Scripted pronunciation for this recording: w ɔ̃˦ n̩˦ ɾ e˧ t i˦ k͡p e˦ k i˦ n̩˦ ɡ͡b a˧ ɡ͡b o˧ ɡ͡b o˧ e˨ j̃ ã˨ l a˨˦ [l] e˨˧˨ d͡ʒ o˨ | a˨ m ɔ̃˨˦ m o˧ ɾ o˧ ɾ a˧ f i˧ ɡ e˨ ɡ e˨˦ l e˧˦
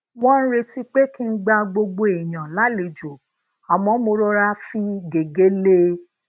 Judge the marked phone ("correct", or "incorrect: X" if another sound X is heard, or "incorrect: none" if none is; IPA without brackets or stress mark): correct